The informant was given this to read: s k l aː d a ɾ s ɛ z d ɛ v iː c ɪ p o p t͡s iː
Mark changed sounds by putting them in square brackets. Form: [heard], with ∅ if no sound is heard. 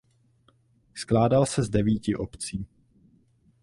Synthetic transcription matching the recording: s k l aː d a [l] s ɛ z d ɛ v iː c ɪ [ʔ] o p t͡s iː

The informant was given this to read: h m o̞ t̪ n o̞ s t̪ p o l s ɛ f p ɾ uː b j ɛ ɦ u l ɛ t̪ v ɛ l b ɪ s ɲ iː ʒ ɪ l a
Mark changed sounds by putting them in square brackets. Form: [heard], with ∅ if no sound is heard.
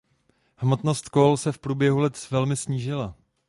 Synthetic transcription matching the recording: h m o̞ t̪ n o̞ s t̪ [k] o l s ɛ f p ɾ uː b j ɛ ɦ u l ɛ t̪ v ɛ l [m] ɪ s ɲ iː ʒ ɪ l a

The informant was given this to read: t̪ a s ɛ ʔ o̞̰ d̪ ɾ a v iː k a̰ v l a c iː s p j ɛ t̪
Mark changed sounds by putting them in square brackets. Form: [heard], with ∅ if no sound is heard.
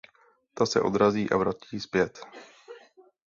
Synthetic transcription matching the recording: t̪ a s ɛ ʔ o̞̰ d̪ ɾ a [z] iː [ʔ] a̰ v [ɾ] a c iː s p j ɛ t̪

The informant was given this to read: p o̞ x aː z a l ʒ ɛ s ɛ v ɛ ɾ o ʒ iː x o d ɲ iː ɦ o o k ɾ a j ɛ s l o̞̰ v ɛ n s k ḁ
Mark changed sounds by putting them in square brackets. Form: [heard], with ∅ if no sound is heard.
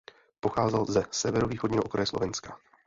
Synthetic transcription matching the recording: p o̞ x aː z [ɛ] l [z] ɛ s ɛ v ɛ ɾ o [v] iː x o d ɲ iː ɦ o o k ɾ a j ɛ s l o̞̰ v ɛ n s k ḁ

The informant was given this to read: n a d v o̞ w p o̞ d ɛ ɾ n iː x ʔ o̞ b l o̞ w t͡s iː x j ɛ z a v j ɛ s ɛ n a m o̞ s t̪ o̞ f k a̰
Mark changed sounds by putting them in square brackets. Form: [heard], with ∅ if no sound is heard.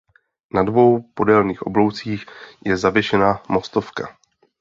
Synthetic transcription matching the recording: n a d v o̞ w p o̞ d ɛ [l] n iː x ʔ o̞ b l o̞ w t͡s iː x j ɛ z a v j ɛ [ʃ] ɛ n a m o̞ s t̪ o̞ f k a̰

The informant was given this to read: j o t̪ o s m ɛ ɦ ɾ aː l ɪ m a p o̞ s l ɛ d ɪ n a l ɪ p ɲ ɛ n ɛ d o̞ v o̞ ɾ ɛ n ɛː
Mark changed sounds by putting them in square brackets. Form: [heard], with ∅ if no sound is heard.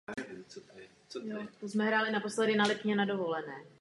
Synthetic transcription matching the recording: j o t̪ o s m ɛ ɦ ɾ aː l ɪ [n] a p o̞ s l ɛ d ɪ n a l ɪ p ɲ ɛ n [a] d o̞ v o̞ [l] ɛ n ɛː

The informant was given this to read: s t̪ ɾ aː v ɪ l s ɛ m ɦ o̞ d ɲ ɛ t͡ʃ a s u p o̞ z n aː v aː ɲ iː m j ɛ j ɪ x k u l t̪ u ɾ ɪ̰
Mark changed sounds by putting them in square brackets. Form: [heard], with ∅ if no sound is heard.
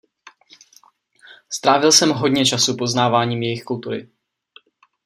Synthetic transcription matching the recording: s t̪ ɾ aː v ɪ l s ɛ m ɦ o̞ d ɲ ɛ t͡ʃ a s u p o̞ z n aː v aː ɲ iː m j ɛ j ɪ x k u l t̪ u ɾ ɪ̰

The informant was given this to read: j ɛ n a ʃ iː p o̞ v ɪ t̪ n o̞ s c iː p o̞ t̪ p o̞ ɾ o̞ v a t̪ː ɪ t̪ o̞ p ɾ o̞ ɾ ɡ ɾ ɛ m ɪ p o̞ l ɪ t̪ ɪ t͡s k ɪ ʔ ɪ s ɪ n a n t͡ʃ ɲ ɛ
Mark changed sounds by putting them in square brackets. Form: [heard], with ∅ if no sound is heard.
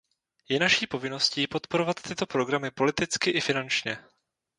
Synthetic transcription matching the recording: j ɛ n a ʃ iː p o̞ v ɪ [∅] n o̞ s c iː p o̞ t̪ p o̞ ɾ o̞ v a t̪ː ɪ t̪ o̞ p ɾ o̞ [∅] ɡ ɾ [a] m ɪ p o̞ l ɪ t̪ ɪ t͡s k ɪ ʔ ɪ [f] ɪ n a n t͡ʃ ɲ ɛ

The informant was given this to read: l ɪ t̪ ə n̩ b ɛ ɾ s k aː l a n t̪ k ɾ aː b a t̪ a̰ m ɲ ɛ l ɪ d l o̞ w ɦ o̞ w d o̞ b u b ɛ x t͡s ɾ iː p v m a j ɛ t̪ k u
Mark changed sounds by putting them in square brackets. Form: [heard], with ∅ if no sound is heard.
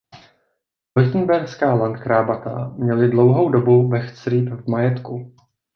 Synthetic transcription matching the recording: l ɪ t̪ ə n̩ b ɛ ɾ s k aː l a n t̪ k ɾ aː b a t̪ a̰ m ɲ ɛ l ɪ d l o̞ w ɦ o̞ w d o̞ b u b ɛ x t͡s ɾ iː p v m a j ɛ t̪ k u

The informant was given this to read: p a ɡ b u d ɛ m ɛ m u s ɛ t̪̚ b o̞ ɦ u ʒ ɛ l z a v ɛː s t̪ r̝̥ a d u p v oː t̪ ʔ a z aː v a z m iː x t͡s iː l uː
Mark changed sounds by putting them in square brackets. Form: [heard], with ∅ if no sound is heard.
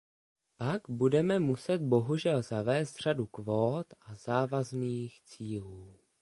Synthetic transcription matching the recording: p a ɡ b u d ɛ m ɛ m u s ɛ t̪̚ b o̞ ɦ u ʒ ɛ l z a v ɛː s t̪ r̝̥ a d u [k] v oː t̪ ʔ a z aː v a z [n] iː x t͡s iː l uː

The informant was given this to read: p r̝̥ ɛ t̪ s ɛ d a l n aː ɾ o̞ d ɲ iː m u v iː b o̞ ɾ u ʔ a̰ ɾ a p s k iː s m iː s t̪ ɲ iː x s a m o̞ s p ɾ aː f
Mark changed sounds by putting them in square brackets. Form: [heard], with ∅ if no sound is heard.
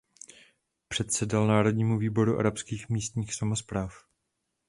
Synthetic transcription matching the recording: p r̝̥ ɛ t̪ s ɛ d a l n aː ɾ o̞ d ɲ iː m u v iː b o̞ ɾ u ʔ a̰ ɾ a p s k iː [x] m iː s t̪ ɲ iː x s a m o̞ s p ɾ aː f

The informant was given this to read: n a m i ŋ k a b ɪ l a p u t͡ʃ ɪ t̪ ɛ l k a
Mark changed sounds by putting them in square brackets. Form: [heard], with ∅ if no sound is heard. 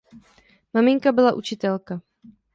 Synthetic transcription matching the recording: [m] a m [ɪ] ŋ k a b ɪ l a [ʔ] u t͡ʃ ɪ t̪ ɛ l k a

